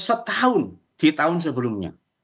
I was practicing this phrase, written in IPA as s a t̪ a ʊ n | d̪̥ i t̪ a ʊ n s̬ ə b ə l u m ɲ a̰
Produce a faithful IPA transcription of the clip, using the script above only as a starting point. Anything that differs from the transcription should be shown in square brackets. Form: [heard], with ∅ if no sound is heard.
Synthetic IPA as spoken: s [ə] t̪ a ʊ n | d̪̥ i t̪ a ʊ n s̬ ə b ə l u m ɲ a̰